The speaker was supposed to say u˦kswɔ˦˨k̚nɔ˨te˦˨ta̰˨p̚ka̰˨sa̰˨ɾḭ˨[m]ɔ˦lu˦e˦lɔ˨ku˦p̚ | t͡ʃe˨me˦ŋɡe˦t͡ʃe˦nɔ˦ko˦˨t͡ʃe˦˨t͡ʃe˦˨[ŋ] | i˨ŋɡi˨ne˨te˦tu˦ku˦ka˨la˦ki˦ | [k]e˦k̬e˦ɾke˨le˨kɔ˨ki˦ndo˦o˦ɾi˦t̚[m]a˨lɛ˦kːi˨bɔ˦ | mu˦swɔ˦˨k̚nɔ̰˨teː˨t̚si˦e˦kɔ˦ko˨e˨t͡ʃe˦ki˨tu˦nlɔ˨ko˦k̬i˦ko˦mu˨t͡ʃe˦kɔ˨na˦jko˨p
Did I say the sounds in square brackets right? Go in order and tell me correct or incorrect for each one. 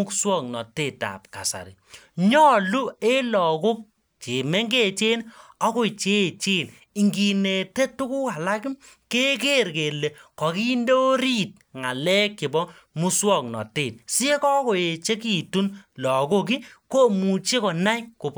incorrect: ɲ, incorrect: n, correct, incorrect: ŋ

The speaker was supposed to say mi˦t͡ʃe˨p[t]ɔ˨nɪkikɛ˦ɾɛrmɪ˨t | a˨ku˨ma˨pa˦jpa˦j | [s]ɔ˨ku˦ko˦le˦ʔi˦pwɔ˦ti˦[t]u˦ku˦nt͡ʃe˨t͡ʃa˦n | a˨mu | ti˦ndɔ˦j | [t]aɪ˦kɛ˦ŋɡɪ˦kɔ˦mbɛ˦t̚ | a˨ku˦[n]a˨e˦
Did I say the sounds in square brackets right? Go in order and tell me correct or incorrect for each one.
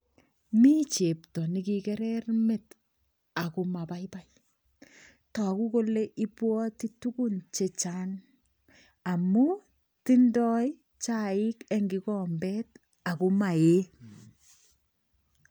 correct, incorrect: t, correct, incorrect: t͡ʃ, incorrect: m

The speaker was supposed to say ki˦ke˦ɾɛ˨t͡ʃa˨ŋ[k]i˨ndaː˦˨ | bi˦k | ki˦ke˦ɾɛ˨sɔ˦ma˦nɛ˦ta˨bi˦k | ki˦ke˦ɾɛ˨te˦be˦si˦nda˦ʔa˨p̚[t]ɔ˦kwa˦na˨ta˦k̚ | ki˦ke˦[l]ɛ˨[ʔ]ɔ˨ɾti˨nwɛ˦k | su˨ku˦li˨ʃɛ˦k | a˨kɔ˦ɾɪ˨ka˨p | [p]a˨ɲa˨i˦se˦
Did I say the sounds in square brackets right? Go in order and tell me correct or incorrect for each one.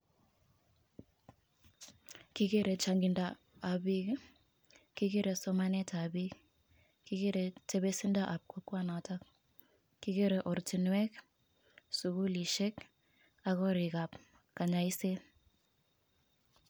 incorrect: ɡ, incorrect: k, incorrect: ɾ, correct, incorrect: k

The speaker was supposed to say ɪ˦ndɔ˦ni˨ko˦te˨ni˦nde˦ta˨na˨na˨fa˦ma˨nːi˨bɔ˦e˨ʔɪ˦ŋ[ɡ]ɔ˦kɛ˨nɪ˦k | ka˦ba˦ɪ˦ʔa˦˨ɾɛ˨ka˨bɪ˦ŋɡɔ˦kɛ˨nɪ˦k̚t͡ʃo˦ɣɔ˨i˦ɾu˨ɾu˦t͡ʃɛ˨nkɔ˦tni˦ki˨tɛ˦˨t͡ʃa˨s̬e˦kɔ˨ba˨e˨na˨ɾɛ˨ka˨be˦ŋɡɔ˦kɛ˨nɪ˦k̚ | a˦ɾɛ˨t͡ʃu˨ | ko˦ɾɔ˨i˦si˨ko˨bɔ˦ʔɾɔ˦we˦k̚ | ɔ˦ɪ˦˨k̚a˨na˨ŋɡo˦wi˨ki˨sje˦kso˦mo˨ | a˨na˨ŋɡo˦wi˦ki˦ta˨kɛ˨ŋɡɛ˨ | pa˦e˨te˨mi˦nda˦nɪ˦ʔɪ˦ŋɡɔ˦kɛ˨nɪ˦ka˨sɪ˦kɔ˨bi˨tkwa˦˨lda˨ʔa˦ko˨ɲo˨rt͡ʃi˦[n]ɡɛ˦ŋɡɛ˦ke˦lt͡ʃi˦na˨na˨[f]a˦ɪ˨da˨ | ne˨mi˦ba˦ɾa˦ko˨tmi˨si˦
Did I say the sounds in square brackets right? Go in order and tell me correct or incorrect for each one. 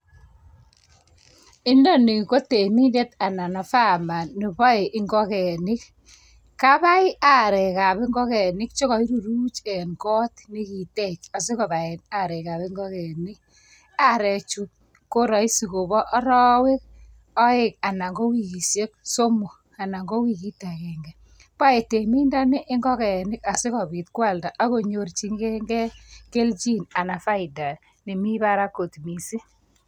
correct, incorrect: ŋ, correct

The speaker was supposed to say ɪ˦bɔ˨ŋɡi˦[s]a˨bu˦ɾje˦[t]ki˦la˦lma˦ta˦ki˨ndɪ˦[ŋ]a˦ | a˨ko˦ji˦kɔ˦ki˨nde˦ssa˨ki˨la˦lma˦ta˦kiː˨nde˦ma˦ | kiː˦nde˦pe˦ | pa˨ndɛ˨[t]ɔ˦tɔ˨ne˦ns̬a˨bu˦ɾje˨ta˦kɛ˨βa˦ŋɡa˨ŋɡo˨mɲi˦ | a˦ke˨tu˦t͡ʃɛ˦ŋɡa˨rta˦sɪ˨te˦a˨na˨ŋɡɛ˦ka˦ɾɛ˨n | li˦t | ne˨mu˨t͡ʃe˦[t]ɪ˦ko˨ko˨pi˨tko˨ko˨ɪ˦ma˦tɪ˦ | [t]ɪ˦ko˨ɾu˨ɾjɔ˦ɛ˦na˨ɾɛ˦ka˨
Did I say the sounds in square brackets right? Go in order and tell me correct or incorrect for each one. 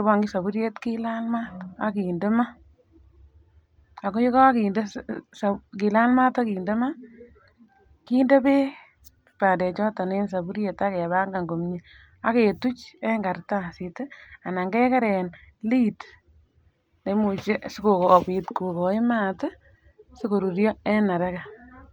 correct, correct, incorrect: m, incorrect: t͡ʃ, incorrect: s, incorrect: s

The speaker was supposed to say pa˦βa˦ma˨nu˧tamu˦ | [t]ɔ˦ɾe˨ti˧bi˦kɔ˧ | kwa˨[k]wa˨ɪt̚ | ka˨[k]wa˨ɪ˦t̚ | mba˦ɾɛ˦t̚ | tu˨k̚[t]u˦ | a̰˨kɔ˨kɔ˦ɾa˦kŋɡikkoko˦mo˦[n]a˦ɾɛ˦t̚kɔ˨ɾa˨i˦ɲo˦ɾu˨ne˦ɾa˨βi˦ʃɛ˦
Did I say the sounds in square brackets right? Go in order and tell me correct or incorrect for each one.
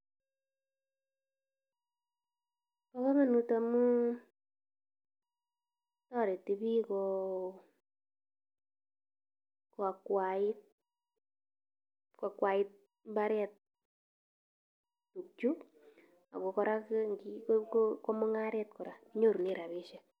correct, correct, correct, incorrect: t͡ʃ, incorrect: ŋ

